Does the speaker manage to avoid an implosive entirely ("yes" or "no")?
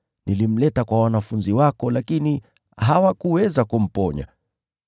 yes